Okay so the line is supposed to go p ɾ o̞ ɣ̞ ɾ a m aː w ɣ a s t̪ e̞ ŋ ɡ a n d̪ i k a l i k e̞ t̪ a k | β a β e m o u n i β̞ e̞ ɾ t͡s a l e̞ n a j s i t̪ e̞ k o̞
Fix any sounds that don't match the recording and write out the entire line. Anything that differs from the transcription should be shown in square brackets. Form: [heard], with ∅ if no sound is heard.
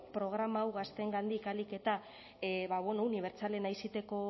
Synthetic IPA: p ɾ o̞ ɣ̞ ɾ a m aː w ɣ a s t̪ e̞ ŋ ɡ a n d̪ i k a l i k e̞ t̪ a [∅] | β a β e [n] o u n i β̞ e̞ ɾ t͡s a l e̞ n a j s i t̪ e̞ k o̞